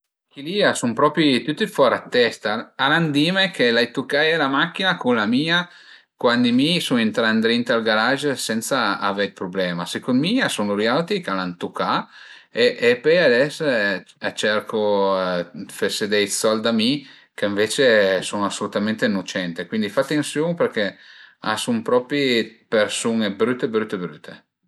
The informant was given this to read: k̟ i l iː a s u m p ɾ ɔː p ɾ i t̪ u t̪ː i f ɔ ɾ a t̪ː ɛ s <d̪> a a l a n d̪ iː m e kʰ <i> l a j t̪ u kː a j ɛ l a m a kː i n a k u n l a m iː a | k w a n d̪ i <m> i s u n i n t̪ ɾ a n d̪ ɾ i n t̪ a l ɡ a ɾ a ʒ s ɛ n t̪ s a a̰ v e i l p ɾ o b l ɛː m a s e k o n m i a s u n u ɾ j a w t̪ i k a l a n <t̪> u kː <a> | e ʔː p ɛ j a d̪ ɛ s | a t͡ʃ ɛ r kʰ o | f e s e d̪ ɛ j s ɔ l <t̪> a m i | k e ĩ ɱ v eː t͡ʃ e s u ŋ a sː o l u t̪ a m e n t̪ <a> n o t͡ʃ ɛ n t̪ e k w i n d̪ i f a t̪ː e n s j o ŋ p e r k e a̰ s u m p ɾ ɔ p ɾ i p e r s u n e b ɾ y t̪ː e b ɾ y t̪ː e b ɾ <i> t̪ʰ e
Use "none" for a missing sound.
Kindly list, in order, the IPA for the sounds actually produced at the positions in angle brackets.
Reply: t̪, e, m, t̪, a, d̪, e, y

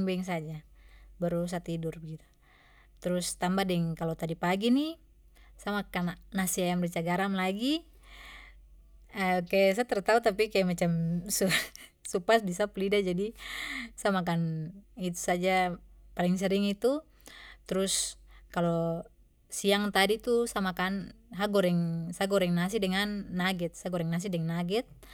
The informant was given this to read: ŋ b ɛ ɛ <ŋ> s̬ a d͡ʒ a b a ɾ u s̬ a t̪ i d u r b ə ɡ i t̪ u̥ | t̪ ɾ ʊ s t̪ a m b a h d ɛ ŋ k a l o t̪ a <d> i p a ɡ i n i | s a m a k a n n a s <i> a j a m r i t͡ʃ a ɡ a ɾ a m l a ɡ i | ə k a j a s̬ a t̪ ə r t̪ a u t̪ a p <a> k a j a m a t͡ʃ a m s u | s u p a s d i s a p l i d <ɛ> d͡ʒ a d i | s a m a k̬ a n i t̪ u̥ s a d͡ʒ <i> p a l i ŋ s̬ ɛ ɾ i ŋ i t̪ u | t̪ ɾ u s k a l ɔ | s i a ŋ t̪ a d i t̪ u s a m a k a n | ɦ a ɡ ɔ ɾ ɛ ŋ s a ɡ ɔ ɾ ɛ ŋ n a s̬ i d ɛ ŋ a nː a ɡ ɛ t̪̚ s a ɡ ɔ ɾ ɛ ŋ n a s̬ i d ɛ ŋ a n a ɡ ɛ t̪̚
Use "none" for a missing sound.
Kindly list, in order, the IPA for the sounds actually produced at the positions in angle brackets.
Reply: ŋ, d, i, i, a, a

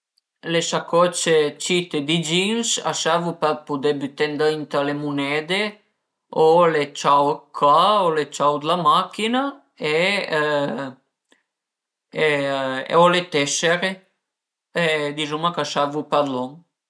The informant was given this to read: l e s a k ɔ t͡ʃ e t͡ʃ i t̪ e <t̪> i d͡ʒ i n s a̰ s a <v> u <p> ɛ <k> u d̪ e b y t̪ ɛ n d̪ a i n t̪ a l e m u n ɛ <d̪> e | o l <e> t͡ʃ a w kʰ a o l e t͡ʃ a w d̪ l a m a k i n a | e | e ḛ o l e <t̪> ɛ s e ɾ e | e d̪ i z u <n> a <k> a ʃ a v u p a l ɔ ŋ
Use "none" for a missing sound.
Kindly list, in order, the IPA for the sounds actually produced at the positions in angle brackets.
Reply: d̪, v, p, p, d̪, e, t̪, m, k

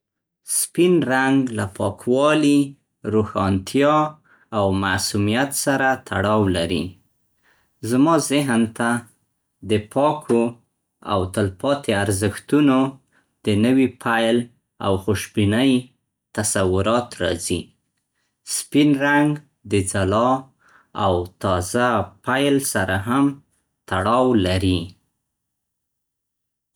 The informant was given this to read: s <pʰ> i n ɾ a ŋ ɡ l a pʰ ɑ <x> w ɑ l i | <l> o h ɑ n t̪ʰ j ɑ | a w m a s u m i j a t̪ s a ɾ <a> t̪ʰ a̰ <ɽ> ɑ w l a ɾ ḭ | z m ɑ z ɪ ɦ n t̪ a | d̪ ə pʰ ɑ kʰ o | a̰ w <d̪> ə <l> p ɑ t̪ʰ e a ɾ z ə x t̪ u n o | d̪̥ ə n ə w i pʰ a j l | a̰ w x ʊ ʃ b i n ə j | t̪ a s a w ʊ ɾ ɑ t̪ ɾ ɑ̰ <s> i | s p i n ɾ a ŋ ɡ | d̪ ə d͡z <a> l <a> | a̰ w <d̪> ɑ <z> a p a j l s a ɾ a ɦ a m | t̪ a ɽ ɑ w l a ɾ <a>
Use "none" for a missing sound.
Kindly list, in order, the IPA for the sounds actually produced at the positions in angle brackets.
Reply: p, k, ɾ, a, ɽ, t̪, l, z, a, ɑ, t̪, z, i

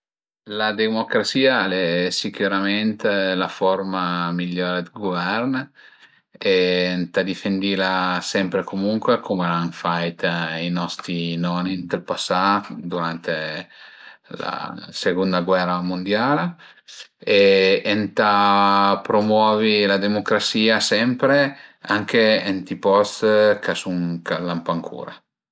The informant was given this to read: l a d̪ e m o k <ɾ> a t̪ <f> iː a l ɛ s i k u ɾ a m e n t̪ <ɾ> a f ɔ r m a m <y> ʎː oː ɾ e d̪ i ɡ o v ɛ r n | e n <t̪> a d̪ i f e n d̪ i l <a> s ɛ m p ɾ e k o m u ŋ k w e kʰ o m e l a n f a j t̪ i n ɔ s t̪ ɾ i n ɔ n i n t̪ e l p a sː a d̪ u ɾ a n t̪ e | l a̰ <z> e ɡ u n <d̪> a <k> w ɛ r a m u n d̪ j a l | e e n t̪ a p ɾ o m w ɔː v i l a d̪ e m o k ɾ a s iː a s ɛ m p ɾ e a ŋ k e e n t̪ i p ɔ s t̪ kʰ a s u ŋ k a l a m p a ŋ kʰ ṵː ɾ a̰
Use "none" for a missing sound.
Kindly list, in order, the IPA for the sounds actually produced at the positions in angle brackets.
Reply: ɾ, s, l, i, t̪, a, s, d̪, ɡ

